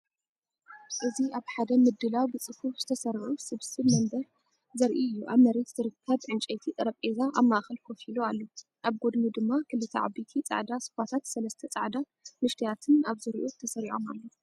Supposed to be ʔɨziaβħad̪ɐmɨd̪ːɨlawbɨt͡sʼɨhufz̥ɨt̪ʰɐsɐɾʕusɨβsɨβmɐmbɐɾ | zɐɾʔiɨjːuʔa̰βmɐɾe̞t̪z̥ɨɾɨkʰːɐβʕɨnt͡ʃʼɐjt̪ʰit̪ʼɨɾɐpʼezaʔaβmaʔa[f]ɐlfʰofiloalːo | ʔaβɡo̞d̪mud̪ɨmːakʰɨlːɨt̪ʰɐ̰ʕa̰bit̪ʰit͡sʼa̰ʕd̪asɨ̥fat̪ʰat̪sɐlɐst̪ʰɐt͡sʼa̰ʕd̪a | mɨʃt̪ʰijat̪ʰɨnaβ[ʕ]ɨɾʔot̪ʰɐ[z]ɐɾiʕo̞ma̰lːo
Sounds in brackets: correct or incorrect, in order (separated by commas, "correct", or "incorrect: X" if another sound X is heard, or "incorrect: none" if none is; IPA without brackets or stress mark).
incorrect: x, incorrect: z, incorrect: s